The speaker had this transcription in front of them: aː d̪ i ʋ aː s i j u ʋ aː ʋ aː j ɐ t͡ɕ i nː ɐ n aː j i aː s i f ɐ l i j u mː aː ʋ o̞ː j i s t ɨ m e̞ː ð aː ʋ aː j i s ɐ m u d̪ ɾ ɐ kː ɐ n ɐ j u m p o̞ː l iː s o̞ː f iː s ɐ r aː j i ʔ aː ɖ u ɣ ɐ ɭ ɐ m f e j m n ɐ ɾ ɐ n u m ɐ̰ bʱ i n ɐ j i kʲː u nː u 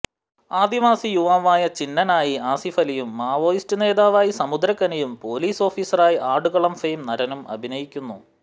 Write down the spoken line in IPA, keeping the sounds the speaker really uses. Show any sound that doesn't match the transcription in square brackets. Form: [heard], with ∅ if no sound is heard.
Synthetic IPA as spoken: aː d̪ i ʋ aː s i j u ʋ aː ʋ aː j ɐ t͡ɕ i nː ɐ n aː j i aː s i f ɐ l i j u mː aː ʋ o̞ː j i s t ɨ [n] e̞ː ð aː ʋ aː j i s ɐ m u d̪ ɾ ɐ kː ɐ n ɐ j u m p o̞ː l iː s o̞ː f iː s ɐ r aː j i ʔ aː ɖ u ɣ ɐ ɭ ɐ m f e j m n ɐ ɾ ɐ n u m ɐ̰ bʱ i n ɐ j i kʲː u nː u